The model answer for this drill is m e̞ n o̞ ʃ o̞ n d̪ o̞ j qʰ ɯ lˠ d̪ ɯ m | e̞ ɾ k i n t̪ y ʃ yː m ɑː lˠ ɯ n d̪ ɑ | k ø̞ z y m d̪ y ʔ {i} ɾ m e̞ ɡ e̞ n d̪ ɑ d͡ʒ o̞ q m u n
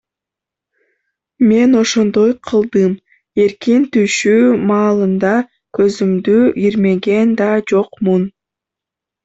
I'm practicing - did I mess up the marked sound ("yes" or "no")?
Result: no